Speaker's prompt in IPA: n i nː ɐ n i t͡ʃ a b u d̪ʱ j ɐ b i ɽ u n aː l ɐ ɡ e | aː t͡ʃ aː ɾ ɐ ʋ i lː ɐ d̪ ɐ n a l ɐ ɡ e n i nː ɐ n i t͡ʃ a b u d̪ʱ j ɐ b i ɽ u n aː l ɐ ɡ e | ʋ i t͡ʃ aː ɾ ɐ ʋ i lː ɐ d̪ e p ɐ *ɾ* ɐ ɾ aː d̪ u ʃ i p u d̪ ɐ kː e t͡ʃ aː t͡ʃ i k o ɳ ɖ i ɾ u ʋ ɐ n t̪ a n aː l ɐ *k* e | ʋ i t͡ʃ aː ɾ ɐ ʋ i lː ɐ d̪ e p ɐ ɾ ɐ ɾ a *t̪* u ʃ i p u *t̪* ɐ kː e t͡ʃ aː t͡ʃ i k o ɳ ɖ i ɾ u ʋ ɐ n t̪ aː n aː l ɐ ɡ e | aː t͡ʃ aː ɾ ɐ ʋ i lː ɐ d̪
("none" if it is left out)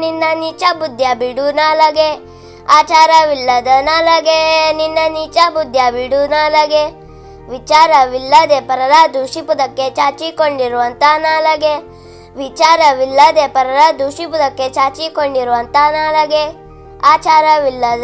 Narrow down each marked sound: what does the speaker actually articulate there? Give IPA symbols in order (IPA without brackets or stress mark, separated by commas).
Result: ɾ, ɡ, d̪, d̪